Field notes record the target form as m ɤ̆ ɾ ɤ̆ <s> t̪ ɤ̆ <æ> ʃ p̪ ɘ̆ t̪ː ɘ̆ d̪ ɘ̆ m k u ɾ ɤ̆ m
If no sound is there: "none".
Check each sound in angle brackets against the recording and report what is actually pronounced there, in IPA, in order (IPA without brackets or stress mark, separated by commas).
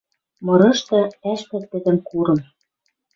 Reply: ʃ, æ